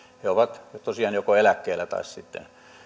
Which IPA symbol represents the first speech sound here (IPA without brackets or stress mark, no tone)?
h